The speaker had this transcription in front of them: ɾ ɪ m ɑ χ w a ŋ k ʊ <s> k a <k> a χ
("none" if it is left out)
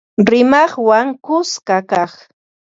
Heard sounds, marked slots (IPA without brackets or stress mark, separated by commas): s, k